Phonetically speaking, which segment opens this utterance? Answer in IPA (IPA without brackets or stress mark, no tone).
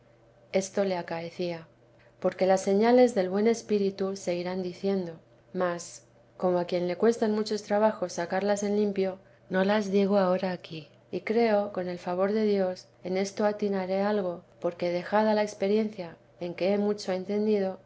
e̞